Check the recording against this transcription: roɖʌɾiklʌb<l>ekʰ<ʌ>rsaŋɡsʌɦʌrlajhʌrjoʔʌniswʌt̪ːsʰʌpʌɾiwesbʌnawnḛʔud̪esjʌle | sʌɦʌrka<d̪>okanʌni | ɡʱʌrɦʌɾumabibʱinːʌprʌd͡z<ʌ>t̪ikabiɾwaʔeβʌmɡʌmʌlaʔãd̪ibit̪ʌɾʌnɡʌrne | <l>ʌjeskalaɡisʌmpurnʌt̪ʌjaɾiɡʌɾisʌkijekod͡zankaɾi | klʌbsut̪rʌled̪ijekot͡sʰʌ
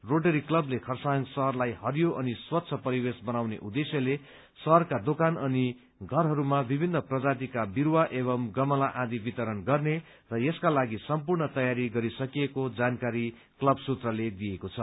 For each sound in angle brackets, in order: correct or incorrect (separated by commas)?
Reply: correct, correct, correct, incorrect, incorrect